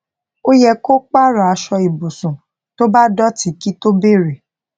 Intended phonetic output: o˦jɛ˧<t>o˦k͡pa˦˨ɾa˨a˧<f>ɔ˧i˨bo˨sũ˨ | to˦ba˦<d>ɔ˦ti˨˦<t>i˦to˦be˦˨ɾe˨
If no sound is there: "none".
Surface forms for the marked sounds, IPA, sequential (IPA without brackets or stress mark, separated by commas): k, ʃ, d, k